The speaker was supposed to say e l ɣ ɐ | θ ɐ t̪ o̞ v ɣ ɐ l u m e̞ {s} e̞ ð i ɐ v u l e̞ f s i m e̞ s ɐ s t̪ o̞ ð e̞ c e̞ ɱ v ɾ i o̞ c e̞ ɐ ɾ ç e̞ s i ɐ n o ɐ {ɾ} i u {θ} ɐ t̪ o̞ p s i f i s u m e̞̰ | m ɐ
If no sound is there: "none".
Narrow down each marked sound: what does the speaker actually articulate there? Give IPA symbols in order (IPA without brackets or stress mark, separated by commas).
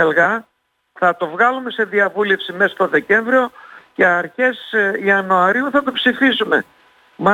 s, ɾ, θ